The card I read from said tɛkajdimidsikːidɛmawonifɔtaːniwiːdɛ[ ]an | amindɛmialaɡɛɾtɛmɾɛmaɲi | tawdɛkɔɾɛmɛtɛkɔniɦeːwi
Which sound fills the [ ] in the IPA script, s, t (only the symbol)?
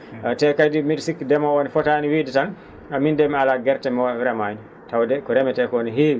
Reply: t